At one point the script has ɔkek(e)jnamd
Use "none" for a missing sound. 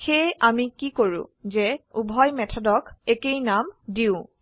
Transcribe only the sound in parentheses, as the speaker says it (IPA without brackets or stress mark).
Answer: e